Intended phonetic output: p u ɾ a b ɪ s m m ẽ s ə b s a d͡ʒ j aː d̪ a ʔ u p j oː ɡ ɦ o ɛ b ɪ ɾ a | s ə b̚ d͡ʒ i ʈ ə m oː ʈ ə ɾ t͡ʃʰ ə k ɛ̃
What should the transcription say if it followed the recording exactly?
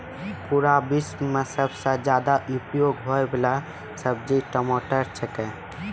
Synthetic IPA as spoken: p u ɾ a b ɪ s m m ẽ s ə b s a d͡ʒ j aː d̪ a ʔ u p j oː ɡ ɦ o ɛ b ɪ l a | s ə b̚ d͡ʒ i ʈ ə m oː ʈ ə ɾ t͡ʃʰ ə k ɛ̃